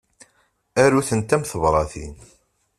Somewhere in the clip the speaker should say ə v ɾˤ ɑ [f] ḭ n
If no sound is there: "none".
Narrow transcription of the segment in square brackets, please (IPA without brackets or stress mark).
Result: θ